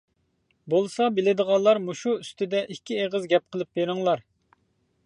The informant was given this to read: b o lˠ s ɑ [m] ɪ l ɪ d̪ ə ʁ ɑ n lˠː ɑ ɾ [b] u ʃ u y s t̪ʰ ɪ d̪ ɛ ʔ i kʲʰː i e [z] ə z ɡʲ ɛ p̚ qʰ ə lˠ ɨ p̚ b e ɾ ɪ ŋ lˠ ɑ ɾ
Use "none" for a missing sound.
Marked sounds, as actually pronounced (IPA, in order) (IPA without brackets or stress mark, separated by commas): b, m, ʁ